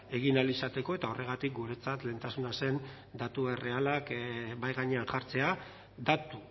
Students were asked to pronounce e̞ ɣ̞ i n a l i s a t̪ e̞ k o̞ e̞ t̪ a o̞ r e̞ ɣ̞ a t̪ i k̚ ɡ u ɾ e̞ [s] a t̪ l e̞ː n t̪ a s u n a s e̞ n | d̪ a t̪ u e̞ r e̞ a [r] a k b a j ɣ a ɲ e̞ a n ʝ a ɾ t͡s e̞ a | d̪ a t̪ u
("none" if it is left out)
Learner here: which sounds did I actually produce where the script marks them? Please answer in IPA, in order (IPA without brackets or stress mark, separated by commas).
t͡s, l